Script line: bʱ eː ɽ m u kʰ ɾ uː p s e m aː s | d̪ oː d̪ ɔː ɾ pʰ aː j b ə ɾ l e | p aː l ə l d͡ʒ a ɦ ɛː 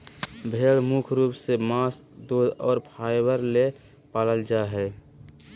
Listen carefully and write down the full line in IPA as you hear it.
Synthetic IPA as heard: bʱ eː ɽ m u kʰ ɾ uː p s e m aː s | d̪ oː d̪ ɔː ɾ pʰ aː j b ə ɾ l e | p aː l ə l d͡ʒ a ɦ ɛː